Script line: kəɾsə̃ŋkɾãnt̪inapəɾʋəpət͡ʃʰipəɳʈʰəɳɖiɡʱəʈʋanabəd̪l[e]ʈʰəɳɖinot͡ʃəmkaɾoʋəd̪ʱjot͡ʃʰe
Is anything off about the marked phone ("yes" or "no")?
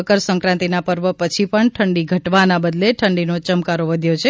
no